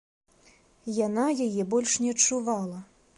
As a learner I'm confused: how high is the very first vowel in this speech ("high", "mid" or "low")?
low